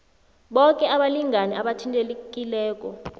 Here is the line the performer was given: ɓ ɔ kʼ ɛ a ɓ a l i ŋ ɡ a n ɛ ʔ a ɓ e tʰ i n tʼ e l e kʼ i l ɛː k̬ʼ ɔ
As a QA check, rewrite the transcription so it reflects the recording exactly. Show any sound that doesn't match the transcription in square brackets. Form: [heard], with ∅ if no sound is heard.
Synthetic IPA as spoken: ɓ ɔ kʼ ɛ a ɓ a l i ŋ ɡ a n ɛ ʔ a ɓ [a] tʰ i n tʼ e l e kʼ i l ɛː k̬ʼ ɔ